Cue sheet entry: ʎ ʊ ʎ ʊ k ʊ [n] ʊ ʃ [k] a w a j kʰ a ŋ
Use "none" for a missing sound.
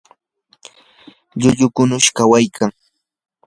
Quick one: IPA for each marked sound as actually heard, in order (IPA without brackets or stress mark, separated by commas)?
n, k